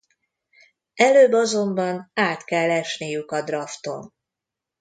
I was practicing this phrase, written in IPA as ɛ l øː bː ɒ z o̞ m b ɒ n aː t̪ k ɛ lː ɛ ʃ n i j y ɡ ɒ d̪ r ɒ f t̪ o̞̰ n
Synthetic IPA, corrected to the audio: ɛ l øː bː ɒ z o̞ m b ɒ n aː t̪ k ɛ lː ɛ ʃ n i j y k ɒ d̪ r ɒ f t̪ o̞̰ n